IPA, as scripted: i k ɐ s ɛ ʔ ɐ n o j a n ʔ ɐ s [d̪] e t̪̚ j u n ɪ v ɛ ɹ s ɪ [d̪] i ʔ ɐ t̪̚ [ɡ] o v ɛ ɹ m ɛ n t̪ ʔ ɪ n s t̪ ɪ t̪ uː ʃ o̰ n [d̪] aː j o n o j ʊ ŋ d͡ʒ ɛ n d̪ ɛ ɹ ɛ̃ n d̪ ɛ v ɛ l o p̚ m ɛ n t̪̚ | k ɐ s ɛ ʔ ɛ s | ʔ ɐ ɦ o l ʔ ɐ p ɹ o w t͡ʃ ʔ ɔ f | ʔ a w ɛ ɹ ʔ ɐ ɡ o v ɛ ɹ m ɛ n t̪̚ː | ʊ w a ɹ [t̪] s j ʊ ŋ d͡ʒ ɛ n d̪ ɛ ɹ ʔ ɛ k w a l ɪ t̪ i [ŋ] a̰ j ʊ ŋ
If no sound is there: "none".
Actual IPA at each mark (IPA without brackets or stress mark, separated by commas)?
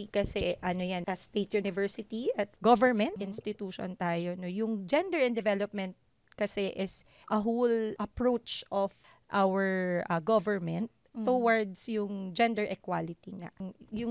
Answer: t̪, t̪, ɡ, t̪, d̪, ŋ